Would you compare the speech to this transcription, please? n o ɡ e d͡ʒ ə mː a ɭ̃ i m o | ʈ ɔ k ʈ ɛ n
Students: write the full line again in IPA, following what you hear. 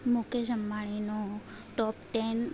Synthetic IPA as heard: m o k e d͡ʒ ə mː a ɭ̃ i n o | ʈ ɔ p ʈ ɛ n